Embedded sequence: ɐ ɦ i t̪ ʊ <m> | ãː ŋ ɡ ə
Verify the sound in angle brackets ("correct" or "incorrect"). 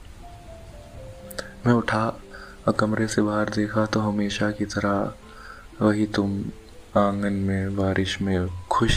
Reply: correct